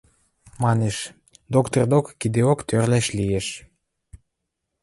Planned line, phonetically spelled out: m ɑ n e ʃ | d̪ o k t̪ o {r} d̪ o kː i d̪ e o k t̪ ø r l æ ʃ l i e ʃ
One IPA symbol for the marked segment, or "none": r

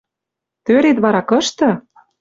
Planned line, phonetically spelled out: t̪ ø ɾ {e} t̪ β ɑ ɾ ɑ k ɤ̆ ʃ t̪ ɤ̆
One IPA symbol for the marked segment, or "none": e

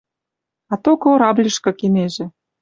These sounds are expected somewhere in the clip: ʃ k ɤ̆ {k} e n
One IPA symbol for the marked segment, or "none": k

